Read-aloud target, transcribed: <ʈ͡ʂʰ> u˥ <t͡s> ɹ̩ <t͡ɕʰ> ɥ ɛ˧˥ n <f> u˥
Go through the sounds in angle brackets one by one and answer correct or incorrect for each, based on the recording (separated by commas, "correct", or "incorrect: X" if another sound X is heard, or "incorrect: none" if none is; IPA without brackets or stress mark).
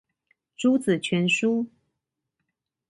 incorrect: ʈ͡ʂ, correct, correct, incorrect: ʂ